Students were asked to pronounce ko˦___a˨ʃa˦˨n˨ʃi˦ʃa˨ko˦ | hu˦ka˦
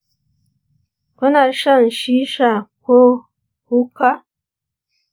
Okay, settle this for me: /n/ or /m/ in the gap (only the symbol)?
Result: n